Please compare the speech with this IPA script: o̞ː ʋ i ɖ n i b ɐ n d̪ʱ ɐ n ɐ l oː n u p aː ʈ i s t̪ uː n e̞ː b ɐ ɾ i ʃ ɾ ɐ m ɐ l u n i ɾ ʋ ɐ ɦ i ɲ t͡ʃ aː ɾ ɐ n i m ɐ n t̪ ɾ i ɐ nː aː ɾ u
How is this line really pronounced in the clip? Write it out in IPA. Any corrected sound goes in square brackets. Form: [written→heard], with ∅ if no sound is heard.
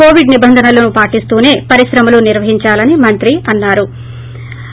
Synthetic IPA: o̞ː ʋ i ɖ n i b ɐ n d̪ʱ ɐ n ɐ l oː n u p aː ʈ i s t̪ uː n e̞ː [b→p] ɐ ɾ i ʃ ɾ ɐ m ɐ l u n i ɾ ʋ ɐ ɦ i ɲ t͡ʃ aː [ɾ→l] ɐ n i m ɐ n t̪ ɾ i ɐ nː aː ɾ u